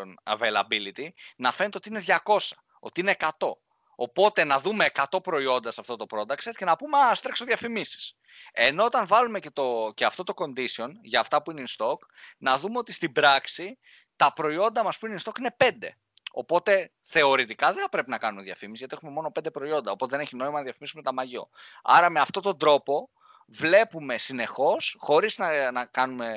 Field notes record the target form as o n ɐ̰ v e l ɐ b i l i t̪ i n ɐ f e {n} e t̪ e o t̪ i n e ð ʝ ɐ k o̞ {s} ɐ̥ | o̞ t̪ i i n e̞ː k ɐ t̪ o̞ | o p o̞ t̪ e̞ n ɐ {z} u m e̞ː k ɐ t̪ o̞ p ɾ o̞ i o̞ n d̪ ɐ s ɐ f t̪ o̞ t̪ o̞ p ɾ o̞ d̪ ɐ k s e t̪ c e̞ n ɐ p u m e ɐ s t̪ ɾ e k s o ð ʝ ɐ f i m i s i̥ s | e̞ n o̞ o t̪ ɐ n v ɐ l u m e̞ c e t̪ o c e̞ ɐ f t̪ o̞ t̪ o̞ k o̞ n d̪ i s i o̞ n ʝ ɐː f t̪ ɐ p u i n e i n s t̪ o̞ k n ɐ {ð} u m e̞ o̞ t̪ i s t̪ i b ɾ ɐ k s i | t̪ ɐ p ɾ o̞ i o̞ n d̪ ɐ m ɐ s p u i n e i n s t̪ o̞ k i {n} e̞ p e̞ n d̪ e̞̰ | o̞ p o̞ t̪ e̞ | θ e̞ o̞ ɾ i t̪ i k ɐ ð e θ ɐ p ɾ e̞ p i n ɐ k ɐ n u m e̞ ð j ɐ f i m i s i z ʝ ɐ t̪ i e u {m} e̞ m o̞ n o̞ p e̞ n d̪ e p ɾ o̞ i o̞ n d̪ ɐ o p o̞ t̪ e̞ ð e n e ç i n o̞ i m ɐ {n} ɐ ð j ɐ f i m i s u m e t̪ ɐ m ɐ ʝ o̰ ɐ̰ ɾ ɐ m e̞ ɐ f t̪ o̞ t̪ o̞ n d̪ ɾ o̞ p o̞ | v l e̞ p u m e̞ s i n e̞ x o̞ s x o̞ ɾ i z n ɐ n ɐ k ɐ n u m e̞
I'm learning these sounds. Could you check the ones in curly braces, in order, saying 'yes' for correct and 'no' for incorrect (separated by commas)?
yes, yes, no, yes, yes, yes, yes